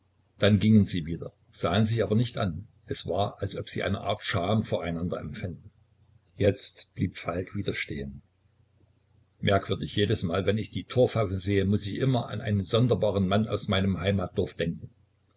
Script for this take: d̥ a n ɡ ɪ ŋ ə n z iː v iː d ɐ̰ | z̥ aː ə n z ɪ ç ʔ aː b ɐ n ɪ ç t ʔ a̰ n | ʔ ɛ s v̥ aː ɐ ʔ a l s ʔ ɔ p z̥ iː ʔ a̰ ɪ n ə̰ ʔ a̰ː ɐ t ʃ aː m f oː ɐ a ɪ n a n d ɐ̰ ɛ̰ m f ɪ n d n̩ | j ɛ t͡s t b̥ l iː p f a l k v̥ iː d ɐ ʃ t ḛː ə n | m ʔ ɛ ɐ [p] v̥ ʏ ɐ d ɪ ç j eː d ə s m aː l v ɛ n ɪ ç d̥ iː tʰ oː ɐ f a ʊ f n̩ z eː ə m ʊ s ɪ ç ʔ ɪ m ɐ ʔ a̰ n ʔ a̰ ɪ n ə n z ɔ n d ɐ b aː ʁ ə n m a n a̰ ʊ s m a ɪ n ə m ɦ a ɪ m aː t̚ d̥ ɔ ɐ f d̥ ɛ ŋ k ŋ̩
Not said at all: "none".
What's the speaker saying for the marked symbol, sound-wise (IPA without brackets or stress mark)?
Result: k